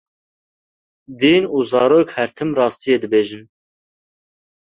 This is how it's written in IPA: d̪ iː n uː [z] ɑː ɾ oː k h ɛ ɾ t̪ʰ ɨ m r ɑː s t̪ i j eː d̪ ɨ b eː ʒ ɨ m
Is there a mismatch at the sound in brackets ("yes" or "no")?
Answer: no